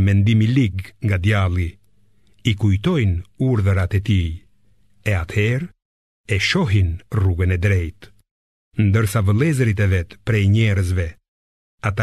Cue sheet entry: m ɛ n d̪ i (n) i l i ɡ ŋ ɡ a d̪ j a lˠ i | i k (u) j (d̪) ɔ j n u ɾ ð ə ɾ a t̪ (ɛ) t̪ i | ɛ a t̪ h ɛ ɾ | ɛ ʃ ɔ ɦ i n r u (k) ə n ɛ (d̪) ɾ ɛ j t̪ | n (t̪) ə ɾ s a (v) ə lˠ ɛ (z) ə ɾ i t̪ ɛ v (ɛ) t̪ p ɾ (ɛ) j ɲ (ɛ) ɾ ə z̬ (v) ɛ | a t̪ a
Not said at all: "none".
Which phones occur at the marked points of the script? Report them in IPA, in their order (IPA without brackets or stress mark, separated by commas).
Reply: m, u, t̪, ɛ, ɡ, d̪, d̪, v, z, ɛ, ɛ, ɛ, v